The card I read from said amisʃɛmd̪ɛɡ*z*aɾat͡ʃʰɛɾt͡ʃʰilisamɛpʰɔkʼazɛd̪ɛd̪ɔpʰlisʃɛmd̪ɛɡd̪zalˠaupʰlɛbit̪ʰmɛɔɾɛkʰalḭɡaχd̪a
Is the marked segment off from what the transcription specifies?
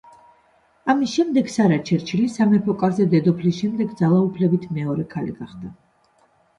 yes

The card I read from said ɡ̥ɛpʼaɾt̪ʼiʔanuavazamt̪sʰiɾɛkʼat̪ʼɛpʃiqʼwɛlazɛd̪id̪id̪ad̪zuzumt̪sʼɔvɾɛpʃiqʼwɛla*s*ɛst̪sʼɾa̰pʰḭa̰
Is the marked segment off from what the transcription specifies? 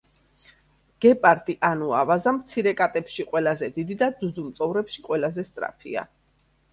yes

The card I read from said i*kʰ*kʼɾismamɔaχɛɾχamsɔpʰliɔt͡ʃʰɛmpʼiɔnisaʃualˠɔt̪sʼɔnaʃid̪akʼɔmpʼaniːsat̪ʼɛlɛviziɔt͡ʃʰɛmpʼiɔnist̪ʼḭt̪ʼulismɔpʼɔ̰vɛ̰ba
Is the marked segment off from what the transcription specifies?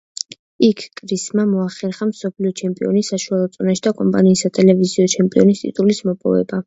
no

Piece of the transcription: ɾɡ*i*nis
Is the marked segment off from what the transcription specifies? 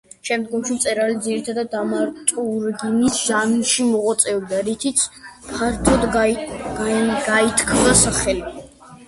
no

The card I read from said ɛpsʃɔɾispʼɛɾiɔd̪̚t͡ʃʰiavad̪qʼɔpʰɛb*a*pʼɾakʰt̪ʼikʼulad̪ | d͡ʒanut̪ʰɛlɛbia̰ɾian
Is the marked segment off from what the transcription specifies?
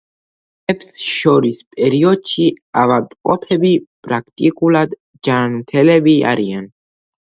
yes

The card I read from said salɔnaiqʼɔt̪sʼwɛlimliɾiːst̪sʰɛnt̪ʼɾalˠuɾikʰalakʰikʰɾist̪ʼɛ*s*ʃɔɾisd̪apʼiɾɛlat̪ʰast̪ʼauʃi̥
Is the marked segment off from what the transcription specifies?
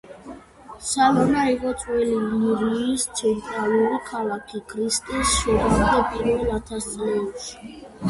no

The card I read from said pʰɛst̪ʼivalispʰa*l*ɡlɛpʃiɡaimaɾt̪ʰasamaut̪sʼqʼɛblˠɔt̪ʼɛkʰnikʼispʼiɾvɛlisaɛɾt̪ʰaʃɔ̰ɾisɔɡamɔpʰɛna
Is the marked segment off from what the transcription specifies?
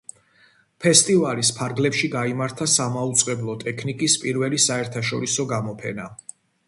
yes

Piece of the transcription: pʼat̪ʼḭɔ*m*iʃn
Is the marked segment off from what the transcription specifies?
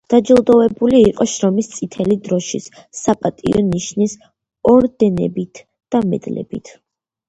yes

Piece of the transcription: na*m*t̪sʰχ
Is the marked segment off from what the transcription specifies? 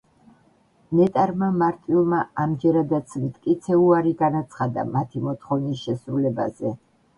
yes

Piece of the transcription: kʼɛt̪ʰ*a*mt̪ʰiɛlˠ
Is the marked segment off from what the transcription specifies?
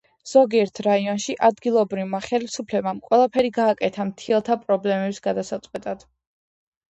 no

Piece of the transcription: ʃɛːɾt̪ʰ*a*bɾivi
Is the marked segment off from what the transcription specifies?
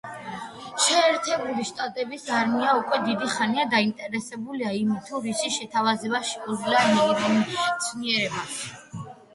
yes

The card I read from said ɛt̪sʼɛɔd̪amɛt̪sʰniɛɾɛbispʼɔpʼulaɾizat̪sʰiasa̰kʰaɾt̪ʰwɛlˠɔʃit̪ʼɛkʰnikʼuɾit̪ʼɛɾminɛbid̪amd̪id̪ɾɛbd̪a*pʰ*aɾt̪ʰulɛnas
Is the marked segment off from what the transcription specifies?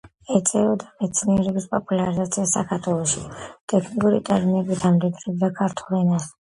yes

